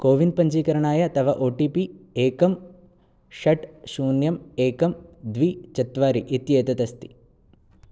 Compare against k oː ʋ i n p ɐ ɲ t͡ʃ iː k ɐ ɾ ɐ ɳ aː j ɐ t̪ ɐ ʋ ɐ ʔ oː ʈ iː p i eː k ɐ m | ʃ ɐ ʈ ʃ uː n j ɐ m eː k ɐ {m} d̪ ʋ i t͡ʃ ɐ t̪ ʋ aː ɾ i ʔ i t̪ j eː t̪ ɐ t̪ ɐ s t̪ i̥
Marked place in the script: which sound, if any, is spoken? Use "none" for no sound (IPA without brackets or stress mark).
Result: m